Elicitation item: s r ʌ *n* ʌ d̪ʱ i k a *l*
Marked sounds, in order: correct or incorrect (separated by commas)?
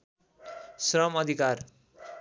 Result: incorrect, incorrect